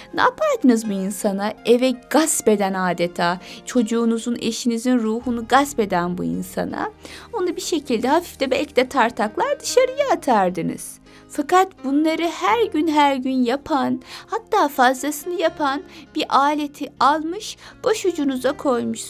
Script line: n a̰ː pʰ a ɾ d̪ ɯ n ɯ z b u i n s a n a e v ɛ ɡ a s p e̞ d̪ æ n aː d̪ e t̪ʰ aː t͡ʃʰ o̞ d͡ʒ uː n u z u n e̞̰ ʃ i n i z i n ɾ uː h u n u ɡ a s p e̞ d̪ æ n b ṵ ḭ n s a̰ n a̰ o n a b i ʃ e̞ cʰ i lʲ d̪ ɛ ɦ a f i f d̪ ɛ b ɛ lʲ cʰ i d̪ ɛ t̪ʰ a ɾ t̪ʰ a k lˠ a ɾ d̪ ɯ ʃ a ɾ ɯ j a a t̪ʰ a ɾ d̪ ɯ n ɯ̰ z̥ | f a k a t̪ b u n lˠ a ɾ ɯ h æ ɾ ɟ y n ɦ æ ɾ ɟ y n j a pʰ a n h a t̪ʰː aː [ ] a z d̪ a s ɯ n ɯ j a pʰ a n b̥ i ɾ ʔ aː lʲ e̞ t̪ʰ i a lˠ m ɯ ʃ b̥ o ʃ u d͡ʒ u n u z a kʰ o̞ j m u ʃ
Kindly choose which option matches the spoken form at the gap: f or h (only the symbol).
f